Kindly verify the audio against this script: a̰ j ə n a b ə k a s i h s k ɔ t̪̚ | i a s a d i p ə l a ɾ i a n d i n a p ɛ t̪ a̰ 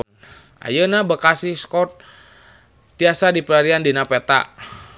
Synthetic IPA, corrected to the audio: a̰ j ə n a b ə k a s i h s k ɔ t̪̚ | i a s a d i p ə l a ɾ i a n d i n a p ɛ t̪ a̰